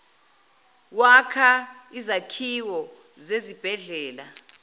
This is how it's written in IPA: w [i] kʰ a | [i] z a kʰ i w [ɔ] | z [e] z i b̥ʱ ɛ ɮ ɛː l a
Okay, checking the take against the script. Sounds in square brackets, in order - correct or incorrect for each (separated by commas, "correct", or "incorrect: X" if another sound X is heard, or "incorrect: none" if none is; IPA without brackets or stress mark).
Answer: incorrect: a, correct, correct, correct